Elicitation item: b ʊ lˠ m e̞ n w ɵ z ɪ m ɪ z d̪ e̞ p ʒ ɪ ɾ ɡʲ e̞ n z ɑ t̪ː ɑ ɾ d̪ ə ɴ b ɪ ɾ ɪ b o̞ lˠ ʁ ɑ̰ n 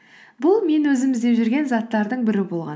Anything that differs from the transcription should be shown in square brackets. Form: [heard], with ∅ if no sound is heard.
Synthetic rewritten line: b ʊ lˠ m e̞ n w ɵ z ɪ m ɪ z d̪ e̞ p ʒ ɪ ɾ ɡʲ e̞ n z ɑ t̪ː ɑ ɾ d̪ ə ɴ b ɪ ɾ ɪ b o̞ lˠ ʁ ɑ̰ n